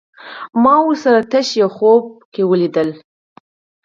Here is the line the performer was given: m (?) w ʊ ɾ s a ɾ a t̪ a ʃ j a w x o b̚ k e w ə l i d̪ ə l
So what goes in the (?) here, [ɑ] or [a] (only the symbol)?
ɑ